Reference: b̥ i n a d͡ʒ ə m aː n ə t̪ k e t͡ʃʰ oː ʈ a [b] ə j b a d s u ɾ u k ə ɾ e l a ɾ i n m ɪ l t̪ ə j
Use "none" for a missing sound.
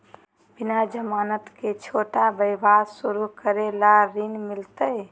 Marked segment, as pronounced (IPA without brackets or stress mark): b